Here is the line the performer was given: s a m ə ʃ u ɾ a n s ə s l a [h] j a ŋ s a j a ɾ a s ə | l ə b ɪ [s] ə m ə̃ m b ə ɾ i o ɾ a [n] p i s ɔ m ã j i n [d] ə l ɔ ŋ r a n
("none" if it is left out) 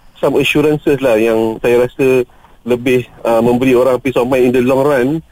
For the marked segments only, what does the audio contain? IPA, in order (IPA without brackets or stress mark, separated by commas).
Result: h, h, ŋ, d